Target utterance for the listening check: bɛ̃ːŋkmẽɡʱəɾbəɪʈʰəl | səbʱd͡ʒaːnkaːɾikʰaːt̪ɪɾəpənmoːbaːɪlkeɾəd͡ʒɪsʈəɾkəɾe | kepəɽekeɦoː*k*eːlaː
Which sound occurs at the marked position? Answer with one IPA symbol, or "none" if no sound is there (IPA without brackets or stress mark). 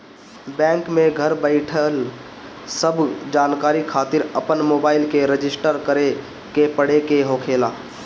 kʰ